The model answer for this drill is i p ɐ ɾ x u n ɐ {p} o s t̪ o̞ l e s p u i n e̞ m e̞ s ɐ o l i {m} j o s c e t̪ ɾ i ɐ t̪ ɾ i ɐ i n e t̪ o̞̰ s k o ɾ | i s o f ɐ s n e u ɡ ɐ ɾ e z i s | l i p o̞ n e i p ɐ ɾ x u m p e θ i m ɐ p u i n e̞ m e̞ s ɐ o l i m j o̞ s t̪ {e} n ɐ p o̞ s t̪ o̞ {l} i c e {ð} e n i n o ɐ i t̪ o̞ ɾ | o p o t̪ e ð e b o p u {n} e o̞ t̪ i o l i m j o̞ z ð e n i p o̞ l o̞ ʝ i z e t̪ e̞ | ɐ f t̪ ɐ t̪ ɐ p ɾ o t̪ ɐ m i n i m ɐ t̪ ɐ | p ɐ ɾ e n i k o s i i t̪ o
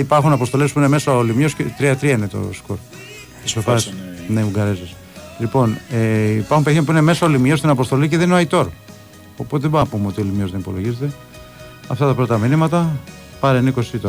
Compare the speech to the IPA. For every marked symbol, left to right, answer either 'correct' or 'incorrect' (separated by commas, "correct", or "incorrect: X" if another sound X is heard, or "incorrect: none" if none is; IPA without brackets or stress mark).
correct, correct, incorrect: i, correct, correct, incorrect: m